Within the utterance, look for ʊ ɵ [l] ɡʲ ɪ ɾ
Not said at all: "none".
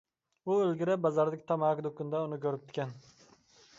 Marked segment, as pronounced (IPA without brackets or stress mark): l